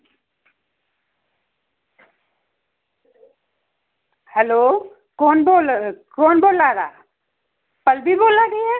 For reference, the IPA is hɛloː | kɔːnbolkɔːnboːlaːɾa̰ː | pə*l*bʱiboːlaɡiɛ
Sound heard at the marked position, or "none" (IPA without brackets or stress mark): l